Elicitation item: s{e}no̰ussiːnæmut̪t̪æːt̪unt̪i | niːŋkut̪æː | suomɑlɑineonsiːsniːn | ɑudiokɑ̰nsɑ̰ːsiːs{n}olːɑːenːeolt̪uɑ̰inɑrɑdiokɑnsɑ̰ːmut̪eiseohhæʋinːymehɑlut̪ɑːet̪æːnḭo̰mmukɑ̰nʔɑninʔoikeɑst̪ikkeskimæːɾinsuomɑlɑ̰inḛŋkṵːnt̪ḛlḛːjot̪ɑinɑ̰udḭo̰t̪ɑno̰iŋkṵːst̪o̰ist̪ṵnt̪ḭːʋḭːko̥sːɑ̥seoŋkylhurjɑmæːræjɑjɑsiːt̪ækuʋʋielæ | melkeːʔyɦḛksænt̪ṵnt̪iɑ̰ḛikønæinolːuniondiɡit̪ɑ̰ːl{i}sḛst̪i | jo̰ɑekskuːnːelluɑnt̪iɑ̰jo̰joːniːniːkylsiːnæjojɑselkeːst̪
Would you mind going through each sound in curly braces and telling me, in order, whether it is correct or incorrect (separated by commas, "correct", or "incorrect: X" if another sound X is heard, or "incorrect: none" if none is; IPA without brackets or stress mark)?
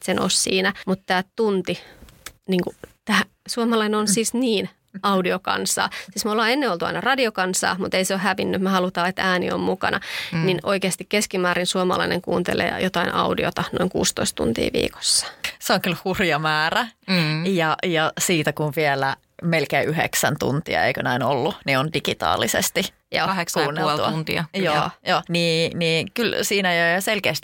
correct, incorrect: m, correct